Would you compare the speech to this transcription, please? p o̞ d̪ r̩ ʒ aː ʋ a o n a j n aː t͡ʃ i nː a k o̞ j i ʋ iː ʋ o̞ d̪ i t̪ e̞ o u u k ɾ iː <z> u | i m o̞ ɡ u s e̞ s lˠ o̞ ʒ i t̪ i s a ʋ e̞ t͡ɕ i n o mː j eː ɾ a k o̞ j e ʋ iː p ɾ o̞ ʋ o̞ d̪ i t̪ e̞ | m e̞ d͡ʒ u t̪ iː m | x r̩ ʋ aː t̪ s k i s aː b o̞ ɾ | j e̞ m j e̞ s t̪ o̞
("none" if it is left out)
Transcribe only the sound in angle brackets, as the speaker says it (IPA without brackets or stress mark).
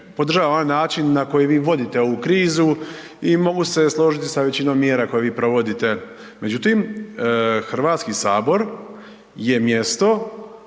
z